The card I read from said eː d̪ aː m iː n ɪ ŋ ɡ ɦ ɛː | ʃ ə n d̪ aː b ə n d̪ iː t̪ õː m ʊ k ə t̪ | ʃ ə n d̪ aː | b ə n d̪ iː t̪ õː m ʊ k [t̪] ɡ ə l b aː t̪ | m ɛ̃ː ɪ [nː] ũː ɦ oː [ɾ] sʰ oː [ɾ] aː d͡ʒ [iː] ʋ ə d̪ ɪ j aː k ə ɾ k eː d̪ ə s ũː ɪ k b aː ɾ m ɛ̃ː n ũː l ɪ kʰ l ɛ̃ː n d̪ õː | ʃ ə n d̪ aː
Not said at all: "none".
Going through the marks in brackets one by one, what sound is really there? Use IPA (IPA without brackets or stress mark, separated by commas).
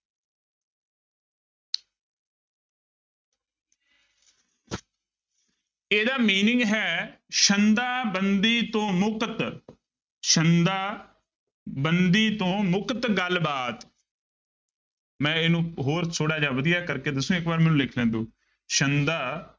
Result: t̪, n, ɾ, ɽ, aː